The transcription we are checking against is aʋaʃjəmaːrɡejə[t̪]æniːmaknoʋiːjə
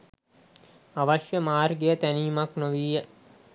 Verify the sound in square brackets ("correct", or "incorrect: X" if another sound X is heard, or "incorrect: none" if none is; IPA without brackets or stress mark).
correct